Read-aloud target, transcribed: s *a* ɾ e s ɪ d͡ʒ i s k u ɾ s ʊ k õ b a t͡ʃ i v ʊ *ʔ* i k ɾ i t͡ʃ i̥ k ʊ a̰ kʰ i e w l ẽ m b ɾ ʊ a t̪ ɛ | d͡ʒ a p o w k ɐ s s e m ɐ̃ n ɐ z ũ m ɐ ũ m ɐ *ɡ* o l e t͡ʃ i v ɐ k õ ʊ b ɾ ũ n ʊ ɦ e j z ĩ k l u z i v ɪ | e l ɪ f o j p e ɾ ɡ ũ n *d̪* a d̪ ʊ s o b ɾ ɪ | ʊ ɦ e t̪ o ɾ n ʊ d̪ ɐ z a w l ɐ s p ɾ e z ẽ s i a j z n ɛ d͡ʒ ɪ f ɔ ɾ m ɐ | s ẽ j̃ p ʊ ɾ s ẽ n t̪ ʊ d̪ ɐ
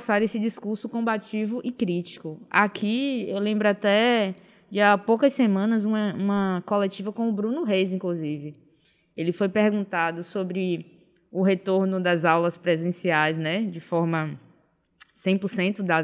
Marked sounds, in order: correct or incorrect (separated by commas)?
correct, correct, incorrect, incorrect